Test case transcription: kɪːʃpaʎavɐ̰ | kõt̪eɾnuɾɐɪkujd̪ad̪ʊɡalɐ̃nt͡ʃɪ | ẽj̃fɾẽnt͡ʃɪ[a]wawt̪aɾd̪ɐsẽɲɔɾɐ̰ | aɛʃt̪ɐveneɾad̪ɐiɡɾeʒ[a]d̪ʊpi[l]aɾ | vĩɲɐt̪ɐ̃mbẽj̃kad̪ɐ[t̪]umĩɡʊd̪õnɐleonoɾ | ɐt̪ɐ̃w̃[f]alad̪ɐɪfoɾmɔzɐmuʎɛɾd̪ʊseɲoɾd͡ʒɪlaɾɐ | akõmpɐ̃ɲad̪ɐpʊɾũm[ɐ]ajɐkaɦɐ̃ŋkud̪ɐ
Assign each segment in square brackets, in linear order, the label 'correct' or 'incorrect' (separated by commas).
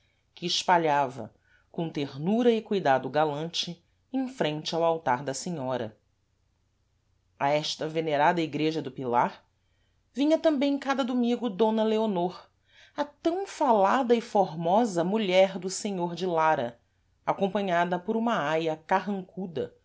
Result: correct, incorrect, correct, incorrect, correct, correct